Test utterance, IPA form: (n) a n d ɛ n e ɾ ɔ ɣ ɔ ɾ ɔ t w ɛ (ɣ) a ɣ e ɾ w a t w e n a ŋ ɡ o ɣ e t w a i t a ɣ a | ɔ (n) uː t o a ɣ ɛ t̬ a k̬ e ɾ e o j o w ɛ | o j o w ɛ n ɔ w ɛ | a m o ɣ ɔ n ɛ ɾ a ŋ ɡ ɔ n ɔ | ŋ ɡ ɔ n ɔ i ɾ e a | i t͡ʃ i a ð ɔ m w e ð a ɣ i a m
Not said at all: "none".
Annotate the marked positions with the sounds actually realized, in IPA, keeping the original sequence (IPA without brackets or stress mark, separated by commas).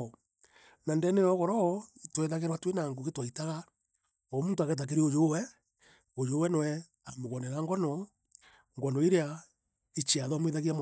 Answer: n, ð, m